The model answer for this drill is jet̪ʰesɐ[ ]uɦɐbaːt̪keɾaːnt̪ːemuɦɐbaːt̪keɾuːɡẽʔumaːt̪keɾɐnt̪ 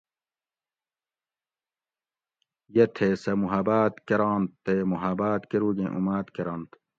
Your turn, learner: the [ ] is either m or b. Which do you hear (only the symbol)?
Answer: m